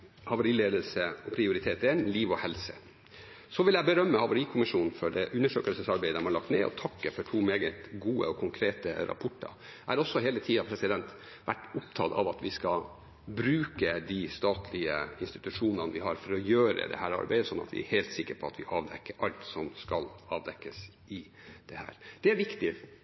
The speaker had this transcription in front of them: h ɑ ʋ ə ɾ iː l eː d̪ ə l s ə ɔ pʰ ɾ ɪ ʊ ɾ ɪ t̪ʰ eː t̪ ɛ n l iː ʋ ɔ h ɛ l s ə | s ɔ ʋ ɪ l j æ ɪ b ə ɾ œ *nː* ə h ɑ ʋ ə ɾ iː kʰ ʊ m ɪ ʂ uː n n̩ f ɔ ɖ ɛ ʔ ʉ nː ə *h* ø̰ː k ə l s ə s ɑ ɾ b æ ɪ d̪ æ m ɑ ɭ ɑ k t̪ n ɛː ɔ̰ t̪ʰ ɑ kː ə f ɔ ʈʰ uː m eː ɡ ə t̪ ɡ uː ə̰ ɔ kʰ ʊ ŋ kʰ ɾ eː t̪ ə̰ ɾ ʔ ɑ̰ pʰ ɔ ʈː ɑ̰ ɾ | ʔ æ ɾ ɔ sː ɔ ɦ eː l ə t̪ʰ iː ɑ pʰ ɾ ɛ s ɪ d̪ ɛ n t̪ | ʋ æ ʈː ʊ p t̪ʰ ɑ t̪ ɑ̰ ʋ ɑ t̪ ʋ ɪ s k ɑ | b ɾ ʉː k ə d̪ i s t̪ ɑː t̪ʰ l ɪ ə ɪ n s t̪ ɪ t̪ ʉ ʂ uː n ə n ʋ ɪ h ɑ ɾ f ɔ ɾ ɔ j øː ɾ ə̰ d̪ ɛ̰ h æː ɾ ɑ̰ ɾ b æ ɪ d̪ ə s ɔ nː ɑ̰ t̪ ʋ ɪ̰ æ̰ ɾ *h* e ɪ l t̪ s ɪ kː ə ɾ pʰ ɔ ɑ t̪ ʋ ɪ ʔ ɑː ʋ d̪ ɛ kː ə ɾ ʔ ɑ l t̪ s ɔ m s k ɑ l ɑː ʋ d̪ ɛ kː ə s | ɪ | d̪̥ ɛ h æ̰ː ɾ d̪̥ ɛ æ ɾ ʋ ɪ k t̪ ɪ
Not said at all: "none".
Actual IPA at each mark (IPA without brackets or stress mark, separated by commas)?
mː, ʂ, h